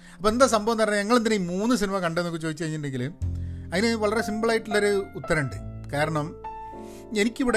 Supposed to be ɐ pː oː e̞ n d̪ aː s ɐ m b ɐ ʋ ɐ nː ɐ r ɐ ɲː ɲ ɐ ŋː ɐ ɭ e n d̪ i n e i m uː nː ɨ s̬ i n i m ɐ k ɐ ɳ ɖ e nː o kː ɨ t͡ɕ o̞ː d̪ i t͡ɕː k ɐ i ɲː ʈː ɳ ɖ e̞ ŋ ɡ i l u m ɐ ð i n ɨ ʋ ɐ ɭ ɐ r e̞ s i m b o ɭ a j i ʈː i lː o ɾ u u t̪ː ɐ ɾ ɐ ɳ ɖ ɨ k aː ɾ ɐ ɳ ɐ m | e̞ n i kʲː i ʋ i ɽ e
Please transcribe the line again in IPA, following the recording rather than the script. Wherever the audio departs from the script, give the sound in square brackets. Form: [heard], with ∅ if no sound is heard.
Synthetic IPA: ɐ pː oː e̞ n d̪ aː s ɐ m b ɐ ʋ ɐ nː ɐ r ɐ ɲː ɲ ɐ ŋː ɐ ɭ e n d̪ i n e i m uː nː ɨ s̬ i n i m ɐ k ɐ ɳ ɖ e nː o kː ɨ t͡ɕ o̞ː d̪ i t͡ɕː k ɐ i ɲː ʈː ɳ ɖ e̞ ŋ ɡ i l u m ɐ ð i n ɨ ʋ ɐ ɭ ɐ r e̞ s i m b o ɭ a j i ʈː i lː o ɾ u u t̪ː ɐ ɾ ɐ ɳ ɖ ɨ k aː ɾ ɐ ɳ ɐ m | e̞ n i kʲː i ʋ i ɽ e